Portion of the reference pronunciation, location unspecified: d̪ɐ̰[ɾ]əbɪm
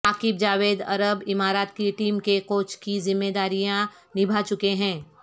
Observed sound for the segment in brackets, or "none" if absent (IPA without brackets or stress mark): ɾ